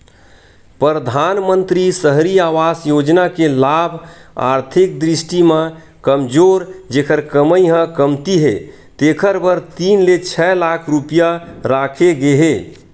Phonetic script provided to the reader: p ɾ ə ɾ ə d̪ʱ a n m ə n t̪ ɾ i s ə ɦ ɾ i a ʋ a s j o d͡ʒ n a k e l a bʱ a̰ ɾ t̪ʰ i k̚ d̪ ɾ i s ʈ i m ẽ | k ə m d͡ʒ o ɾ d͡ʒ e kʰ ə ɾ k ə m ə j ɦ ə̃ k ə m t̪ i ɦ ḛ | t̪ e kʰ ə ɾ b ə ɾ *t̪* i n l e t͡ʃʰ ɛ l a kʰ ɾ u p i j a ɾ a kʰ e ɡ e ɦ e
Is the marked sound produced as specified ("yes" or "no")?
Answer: yes